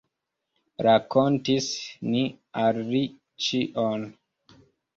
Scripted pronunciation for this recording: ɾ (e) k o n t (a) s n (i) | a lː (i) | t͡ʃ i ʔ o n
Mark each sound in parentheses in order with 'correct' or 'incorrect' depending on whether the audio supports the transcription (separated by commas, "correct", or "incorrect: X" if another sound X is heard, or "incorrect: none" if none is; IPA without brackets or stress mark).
incorrect: a, incorrect: i, correct, correct